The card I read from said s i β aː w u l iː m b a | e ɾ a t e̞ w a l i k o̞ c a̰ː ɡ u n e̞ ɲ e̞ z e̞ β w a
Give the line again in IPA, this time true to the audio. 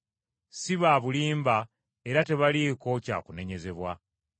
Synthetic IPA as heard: s i β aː β u l iː m b a | e ɾ a t e̞ β a l i k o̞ c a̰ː k u n e̞ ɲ e̞ z e̞ β w a